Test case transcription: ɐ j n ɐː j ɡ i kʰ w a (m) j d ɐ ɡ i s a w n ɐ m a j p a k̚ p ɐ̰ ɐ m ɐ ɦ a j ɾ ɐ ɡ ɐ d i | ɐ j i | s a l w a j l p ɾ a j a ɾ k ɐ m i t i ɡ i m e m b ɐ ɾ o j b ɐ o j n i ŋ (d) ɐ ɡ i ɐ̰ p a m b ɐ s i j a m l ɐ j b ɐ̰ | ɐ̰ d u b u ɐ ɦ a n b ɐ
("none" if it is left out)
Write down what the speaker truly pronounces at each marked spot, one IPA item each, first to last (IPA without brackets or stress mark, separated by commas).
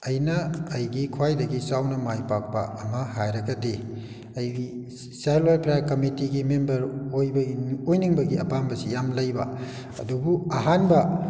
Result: none, b